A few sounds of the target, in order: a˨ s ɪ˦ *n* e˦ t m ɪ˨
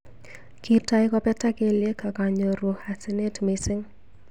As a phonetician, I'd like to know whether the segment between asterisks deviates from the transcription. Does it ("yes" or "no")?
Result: no